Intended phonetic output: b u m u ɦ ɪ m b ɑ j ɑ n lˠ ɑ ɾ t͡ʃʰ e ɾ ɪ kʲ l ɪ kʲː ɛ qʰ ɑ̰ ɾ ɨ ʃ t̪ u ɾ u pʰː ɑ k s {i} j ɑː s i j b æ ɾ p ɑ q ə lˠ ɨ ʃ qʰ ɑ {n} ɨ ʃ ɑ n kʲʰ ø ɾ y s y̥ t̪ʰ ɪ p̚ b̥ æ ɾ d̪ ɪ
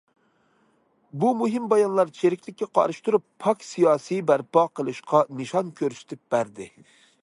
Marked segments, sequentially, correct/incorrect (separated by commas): correct, correct